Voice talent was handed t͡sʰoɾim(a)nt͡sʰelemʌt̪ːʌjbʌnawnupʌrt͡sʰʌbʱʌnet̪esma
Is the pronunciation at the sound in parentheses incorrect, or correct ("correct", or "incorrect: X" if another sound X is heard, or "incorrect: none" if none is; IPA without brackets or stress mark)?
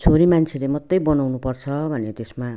correct